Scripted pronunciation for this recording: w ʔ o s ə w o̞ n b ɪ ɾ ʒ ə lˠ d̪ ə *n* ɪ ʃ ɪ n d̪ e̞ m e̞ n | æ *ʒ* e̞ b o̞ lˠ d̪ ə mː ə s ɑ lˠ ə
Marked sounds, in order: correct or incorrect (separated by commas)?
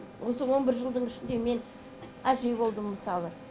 incorrect, correct